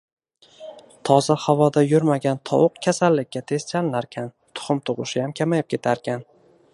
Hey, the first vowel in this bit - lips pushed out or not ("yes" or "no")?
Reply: yes